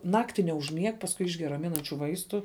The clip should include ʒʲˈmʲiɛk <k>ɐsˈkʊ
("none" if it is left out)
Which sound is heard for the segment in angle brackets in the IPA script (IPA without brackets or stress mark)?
p